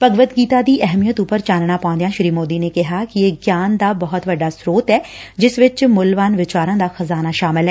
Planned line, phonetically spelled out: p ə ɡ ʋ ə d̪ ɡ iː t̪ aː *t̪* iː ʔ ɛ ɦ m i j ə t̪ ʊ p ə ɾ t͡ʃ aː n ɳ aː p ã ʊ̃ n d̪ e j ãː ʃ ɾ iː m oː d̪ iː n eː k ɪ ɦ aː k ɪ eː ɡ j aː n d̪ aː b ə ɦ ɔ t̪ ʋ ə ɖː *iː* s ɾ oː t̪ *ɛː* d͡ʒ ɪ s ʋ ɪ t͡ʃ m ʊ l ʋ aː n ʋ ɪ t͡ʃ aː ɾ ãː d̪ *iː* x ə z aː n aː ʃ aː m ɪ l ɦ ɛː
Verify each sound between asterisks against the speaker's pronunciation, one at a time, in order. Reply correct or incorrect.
incorrect: d̪, incorrect: aː, correct, incorrect: aː

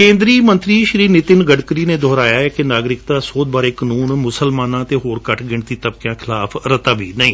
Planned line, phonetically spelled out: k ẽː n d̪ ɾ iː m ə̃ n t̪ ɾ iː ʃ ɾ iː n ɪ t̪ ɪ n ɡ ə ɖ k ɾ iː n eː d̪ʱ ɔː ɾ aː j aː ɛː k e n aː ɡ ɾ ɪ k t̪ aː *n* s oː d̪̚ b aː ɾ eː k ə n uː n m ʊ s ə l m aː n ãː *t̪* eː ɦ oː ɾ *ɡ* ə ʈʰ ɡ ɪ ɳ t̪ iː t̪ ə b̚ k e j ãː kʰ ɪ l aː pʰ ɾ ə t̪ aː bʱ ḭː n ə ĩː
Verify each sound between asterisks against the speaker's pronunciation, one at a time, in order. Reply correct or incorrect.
incorrect: none, correct, incorrect: k

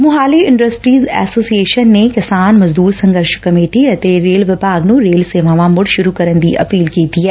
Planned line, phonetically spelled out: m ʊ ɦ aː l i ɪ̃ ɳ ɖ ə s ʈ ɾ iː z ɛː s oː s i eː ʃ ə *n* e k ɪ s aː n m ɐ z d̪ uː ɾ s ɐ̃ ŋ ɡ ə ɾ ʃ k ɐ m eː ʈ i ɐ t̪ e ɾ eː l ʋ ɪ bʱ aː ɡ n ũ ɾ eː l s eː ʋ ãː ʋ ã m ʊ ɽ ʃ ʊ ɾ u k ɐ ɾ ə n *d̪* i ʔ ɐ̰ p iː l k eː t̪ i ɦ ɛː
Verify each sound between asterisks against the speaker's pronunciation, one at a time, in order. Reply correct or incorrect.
incorrect: nː, correct

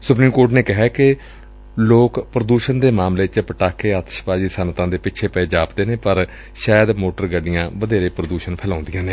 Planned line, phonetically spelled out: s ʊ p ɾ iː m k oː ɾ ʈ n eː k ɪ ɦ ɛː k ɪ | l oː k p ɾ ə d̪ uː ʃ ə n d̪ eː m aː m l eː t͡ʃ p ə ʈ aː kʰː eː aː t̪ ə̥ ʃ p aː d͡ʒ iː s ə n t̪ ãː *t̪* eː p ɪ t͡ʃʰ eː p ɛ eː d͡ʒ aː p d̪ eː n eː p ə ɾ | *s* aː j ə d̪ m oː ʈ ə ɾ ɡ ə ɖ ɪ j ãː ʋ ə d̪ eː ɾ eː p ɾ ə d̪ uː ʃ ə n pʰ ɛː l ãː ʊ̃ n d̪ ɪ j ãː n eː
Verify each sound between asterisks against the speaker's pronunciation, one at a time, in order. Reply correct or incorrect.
incorrect: d̪, incorrect: ʃ

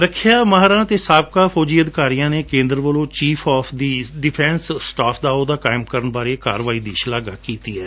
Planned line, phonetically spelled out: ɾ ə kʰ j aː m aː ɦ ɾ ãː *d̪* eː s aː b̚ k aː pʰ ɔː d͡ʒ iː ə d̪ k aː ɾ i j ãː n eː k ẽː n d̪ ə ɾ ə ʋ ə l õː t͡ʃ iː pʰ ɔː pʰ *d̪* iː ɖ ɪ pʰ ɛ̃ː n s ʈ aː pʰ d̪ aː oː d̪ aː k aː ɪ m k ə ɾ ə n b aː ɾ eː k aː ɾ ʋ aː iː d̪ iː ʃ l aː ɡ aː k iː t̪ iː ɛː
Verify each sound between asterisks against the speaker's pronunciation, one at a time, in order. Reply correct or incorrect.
incorrect: t̪, correct

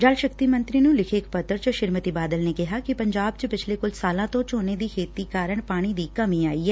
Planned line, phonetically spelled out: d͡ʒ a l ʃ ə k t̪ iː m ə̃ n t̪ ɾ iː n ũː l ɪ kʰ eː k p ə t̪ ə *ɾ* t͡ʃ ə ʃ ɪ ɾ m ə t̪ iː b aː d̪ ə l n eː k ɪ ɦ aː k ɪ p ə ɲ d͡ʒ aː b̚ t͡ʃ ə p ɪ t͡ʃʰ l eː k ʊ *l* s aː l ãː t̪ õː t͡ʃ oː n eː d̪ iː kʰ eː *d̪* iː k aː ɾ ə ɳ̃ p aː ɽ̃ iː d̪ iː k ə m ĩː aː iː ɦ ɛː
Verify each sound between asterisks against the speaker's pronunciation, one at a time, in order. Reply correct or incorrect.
correct, correct, incorrect: t̪

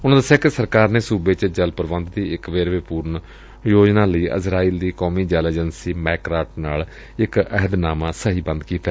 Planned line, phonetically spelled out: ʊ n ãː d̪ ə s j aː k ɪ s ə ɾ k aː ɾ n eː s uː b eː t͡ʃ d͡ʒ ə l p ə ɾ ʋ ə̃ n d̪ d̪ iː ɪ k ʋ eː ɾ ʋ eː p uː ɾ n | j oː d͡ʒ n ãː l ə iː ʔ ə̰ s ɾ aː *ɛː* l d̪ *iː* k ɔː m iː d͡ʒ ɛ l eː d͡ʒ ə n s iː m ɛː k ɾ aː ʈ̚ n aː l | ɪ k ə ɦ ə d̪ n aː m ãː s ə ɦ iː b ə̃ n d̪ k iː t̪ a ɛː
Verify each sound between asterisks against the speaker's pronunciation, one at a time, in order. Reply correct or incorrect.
incorrect: iː, correct

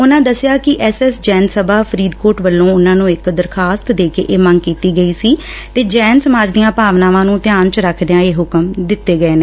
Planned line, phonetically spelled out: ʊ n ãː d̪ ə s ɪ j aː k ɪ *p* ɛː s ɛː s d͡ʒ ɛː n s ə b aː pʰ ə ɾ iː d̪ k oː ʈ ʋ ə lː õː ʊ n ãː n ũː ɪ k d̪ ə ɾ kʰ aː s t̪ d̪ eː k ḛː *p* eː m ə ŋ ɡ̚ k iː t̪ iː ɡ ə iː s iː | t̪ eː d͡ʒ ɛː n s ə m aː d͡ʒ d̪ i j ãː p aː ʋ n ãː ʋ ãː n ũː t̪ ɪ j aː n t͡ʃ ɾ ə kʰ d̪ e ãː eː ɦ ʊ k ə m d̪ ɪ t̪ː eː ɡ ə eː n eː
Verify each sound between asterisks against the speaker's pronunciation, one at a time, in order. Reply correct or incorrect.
incorrect: ʔ, incorrect: ʔ

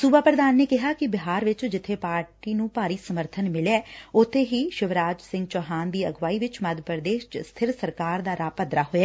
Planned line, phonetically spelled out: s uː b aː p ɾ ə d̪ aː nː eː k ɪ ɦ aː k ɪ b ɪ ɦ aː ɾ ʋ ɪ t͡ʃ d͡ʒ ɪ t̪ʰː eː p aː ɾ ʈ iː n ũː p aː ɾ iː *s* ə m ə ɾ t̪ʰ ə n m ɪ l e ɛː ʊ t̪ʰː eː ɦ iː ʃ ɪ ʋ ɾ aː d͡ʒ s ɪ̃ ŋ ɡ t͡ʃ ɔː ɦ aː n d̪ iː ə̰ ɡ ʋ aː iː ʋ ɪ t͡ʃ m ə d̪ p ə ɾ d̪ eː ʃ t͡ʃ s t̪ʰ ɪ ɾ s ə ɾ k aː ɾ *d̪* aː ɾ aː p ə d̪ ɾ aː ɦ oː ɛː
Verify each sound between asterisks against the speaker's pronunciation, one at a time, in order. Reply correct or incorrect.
correct, correct

